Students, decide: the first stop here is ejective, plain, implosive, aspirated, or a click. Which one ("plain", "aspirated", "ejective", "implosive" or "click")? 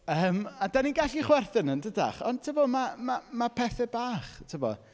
plain